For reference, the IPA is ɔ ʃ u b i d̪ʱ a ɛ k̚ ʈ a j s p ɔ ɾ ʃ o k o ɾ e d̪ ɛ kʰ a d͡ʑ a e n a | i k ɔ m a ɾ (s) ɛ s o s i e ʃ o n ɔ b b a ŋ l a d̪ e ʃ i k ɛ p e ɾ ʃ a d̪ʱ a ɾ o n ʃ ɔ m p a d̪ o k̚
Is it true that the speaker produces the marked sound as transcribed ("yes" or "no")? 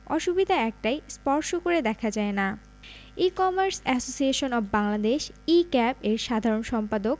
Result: yes